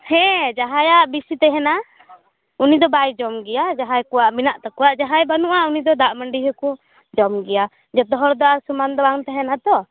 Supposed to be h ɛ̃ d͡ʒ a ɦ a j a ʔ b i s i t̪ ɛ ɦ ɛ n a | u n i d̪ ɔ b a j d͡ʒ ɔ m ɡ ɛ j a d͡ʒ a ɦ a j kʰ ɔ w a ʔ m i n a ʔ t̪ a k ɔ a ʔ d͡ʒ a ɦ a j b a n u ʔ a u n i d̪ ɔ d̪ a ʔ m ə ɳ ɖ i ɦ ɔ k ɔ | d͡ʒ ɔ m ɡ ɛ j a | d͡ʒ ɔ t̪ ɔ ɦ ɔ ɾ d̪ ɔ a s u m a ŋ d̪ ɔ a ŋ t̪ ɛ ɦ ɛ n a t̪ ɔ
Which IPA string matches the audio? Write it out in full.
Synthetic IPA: h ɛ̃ d͡ʒ a ɦ a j a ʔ b i s i t̪ ɛ ɦ ɛ n a | u n i d̪ ɔ b a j d͡ʒ ɔ m ɡ ɛ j a d͡ʒ a ɦ a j k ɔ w a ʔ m i n a ʔ t̪ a k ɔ a ʔ d͡ʒ a ɦ a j b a n u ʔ a u n i d̪ ɔ d̪ a ʔ m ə ɳ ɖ i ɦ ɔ k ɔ | d͡ʒ ɔ m ɡ ɛ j a | d͡ʒ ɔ t̪ ɔ ɦ ɔ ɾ d̪ ɔ a s u m a n d̪ ɔ a ŋ t̪ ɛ ɦ ɛ n a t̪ ɔ